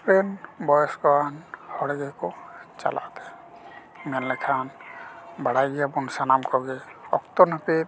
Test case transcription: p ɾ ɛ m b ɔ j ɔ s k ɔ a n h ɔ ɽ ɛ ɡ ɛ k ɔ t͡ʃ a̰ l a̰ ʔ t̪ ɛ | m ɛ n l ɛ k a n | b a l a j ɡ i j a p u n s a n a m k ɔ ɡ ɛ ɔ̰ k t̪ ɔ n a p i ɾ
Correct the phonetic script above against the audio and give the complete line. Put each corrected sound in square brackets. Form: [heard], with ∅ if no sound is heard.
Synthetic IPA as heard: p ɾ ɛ [n] b ɔ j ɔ s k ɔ a n h ɔ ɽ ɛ ɡ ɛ k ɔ t͡ʃ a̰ l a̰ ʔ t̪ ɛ | m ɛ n l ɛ [kʰ] a n | b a [ɽ] a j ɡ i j a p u n s a n a m k ɔ ɡ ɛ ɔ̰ k t̪ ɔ n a p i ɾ

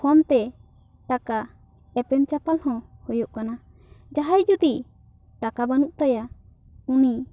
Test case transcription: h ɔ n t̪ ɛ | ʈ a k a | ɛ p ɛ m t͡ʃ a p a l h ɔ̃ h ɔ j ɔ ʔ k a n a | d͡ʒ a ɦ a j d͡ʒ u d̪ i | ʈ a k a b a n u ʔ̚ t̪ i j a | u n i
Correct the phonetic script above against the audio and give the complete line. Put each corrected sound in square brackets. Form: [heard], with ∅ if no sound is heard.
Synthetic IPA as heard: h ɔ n t̪ ɛ | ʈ a k a | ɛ p ɛ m t͡ʃ a p a l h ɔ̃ h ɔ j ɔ ʔ k a n a | d͡ʒ a ɦ a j d͡ʒ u d̪ i | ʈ a k a b a n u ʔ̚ t̪ [a] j a | u n i

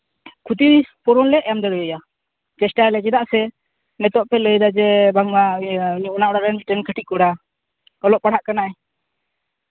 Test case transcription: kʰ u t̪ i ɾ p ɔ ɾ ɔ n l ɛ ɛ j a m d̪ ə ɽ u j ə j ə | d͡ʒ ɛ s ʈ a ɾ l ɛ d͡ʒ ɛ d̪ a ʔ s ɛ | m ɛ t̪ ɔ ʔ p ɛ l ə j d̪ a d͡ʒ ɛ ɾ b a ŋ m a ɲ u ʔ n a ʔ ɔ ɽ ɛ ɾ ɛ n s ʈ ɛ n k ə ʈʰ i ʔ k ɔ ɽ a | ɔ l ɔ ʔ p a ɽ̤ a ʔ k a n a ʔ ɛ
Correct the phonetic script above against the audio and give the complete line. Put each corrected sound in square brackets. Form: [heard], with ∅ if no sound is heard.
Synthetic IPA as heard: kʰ u t̪ i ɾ p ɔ ɾ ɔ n l ɛ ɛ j a m d̪ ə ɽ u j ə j [a] | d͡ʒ ɛ s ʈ a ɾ l ɛ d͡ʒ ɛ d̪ a ʔ s ɛ | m ɛ t̪ ɔ ʔ p ɛ l ə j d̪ a d͡ʒ ɛ [∅] b a ŋ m a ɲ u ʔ n a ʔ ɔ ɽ [a] ɾ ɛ n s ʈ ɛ n k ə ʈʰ i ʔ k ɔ ɽ a | ɔ l ɔ ʔ p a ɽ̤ a ʔ k a n a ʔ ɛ

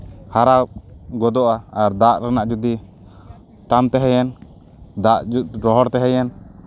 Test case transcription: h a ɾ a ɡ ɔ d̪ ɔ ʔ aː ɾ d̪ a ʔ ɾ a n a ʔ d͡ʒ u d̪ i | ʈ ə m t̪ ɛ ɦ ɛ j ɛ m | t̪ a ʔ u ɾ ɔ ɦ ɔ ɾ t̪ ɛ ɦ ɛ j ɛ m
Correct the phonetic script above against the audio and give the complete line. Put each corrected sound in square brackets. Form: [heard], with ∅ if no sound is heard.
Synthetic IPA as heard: h a ɾ a ɡ ɔ d̪ ɔ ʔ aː ɾ d̪ a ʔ ɾ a n a ʔ d͡ʒ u d̪ i | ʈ [a] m t̪ ɛ ɦ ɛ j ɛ [n] | [d̪] a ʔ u ɾ ɔ ɦ ɔ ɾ t̪ ɛ ɦ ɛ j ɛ [n]

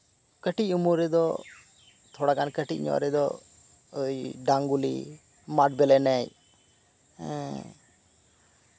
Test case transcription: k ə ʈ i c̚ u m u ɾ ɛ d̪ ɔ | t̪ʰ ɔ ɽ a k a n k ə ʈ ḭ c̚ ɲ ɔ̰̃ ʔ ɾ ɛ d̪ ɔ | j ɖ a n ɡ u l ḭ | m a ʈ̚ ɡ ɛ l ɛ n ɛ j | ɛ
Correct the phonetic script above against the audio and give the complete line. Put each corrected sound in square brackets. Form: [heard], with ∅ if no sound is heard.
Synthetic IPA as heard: k ə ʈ i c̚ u m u ɾ ɛ d̪ ɔ | t̪ʰ ɔ ɽ a k a n k ə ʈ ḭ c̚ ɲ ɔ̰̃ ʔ ɾ ɛ d̪ ɔ | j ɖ a [ŋ] ɡ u l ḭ | m a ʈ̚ [b] ɛ l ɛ n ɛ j | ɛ

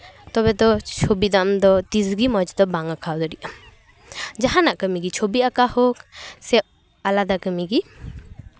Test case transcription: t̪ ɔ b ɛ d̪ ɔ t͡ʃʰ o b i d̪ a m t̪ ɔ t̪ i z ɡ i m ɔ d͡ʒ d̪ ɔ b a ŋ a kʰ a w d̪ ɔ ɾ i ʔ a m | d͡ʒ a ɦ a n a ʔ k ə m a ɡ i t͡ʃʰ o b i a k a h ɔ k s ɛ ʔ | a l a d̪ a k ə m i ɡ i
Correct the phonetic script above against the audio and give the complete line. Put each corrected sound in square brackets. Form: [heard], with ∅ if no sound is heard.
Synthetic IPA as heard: t̪ ɔ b ɛ d̪ ɔ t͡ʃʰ o b i d̪ a m [d̪] ɔ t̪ i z ɡ i m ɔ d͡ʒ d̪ ɔ b a ŋ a kʰ a w d̪ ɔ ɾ i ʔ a m | d͡ʒ a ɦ a n a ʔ k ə m [i] ɡ i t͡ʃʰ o b i a k a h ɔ k s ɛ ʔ | a l a d̪ a k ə m i ɡ i

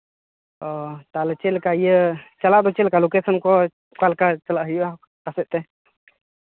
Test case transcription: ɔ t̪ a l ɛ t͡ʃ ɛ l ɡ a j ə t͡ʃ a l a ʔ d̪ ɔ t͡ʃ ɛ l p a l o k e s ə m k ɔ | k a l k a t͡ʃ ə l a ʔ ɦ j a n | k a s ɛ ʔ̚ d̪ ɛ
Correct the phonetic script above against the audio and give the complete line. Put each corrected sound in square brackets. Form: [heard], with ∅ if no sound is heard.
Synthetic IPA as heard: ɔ t̪ a l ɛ t͡ʃ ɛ l [k] a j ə t͡ʃ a l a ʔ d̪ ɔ t͡ʃ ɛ l [k] a l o k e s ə [n] k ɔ | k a l k a t͡ʃ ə l a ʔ ɦ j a [∅] | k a s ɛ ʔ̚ [t̪] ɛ

